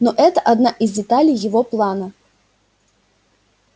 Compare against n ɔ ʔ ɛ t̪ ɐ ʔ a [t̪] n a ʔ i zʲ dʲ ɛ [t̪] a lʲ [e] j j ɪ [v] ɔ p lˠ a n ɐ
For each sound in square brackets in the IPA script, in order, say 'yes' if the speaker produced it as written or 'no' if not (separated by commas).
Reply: no, yes, no, yes